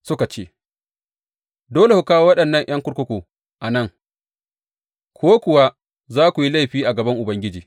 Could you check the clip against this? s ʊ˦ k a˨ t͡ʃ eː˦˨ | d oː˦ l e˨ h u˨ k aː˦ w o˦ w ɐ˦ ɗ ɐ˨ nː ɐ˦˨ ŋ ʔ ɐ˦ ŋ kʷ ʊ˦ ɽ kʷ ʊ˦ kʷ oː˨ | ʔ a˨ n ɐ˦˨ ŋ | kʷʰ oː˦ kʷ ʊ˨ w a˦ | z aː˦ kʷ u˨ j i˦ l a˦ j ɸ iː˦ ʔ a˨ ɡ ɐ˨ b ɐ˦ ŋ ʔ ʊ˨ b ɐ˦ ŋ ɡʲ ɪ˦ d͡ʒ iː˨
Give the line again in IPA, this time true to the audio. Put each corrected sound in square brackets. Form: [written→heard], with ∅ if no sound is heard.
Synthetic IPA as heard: s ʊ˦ k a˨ t͡ʃ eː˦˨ | d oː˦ l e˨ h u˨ k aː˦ w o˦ w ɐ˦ ɗ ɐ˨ nː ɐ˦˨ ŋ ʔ ɐ˦ ŋ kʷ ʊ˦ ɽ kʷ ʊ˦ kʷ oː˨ | ʔ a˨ n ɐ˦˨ ŋ | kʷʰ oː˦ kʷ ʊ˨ w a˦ | z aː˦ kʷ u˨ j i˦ l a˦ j ɸ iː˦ ʔ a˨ ɡ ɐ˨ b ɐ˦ ŋ ʔ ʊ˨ b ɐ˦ ŋ ɡʲ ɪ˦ d͡ʒ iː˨